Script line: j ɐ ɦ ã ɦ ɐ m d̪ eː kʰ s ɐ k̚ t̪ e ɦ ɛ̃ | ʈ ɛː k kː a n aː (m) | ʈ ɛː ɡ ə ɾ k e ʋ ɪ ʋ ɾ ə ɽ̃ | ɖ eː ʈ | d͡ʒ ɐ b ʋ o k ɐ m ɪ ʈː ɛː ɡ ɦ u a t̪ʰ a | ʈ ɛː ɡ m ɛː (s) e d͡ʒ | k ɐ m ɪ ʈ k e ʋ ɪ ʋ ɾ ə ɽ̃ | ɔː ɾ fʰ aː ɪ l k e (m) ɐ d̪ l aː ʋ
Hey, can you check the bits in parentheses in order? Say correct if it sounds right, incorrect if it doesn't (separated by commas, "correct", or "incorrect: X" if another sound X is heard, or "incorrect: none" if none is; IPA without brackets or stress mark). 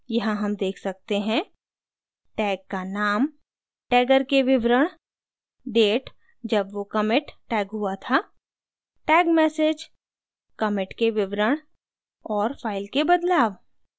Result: correct, correct, incorrect: b